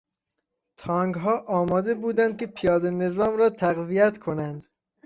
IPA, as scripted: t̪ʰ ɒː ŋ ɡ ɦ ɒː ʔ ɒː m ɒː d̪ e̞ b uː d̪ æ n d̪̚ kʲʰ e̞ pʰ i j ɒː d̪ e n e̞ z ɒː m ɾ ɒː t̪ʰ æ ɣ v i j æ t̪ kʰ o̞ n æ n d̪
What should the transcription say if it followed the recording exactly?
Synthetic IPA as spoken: t̪ʰ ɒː ŋ ɡ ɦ ɒː ʔ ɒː m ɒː d̪ e̞ b uː d̪ æ n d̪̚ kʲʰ e̞ pʰ i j ɒː d̪ e n e̞ z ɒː m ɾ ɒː t̪ʰ æ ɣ v i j æ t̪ kʰ o̞ n æ n d̪